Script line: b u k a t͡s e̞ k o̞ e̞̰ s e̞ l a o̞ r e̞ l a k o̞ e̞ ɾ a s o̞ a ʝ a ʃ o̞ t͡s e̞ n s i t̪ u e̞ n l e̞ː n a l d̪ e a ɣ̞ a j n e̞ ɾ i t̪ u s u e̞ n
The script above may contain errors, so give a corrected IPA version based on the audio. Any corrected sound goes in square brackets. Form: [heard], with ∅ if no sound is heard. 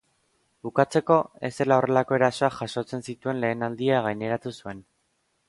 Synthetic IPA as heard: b u k a t͡s e̞ k o̞ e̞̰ s e̞ l a o̞ r e̞ l a k o̞ e̞ ɾ a s o̞ a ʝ a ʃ o̞ t͡s e̞ n s i t̪ u e̞ n l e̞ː n a l d̪ [i] a ɣ̞ a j n e̞ ɾ [a] t̪ u s u e̞ n